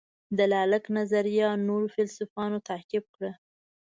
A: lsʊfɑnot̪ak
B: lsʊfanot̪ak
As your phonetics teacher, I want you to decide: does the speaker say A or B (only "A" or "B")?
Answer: A